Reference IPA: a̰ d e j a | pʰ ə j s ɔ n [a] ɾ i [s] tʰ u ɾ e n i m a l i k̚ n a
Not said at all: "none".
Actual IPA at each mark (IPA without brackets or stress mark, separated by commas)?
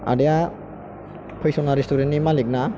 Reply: a, s